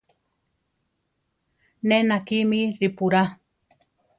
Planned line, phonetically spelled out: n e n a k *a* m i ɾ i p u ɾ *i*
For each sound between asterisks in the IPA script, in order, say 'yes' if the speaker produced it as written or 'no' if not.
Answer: no, no

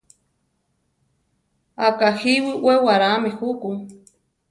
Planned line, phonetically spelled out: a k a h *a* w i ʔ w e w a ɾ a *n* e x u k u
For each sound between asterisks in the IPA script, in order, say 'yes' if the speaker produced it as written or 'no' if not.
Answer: no, no

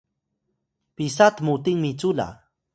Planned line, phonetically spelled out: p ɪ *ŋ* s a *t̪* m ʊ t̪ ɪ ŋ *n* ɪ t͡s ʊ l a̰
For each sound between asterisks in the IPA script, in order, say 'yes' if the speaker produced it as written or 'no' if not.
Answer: no, yes, no

